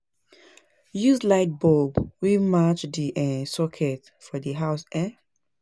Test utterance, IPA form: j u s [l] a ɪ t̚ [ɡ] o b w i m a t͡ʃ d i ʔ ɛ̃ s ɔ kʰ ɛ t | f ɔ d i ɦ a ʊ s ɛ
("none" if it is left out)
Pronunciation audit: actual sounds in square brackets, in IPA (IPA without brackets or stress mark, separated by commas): l, b